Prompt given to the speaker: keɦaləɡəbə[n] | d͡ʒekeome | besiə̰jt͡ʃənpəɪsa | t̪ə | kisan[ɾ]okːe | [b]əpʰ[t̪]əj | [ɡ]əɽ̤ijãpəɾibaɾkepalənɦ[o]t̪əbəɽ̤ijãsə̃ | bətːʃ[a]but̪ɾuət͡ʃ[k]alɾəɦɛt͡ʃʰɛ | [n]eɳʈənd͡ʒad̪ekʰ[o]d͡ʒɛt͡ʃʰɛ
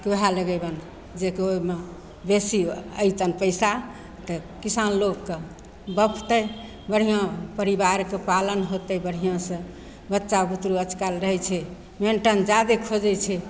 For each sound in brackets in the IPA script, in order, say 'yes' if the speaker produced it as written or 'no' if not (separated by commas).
yes, no, yes, yes, no, yes, yes, yes, no, yes